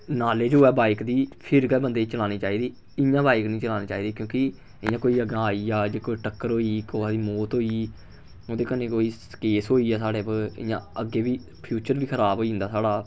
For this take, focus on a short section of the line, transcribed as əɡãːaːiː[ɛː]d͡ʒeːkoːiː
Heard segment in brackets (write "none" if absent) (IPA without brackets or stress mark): aː